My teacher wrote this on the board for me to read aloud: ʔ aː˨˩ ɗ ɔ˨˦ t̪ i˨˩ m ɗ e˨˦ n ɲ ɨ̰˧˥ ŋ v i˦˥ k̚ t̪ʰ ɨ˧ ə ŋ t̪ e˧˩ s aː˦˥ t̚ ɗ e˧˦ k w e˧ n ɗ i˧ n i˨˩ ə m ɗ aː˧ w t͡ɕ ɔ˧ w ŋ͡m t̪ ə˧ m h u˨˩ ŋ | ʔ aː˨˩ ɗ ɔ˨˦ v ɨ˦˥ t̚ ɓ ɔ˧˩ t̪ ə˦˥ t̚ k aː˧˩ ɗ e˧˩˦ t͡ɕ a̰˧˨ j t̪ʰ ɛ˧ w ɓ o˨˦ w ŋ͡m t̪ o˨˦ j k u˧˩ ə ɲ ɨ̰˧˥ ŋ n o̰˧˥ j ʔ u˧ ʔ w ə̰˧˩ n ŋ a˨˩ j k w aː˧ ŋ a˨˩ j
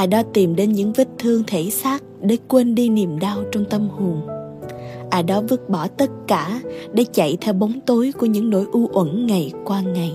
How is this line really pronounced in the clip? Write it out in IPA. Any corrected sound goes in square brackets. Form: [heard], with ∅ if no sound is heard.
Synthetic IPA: ʔ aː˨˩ ɗ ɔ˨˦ t̪ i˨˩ m ɗ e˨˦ n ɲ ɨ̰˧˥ ŋ v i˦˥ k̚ t̪ʰ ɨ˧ ə ŋ [t̪ʰ] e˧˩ s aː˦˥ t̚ ɗ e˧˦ k w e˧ n ɗ i˧ n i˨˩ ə m ɗ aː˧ w t͡ɕ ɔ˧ w ŋ͡m t̪ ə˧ m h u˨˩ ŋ | ʔ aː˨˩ ɗ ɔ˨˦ v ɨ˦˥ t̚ ɓ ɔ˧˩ t̪ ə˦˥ t̚ k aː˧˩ ɗ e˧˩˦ t͡ɕ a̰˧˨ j t̪ʰ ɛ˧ w ɓ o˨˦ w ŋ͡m t̪ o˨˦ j k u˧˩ ə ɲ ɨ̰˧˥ ŋ n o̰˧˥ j ʔ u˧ ʔ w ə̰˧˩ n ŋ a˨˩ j k w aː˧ ŋ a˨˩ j